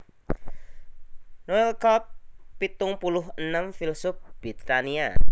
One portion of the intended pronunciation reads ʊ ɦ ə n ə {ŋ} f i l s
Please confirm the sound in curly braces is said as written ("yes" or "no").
no